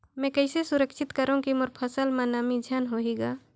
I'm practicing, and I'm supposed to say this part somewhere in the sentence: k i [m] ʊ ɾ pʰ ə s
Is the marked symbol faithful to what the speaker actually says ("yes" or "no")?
yes